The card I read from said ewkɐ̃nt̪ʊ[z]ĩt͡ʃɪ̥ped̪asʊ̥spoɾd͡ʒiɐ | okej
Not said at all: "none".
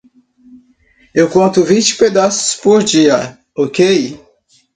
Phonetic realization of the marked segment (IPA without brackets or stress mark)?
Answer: v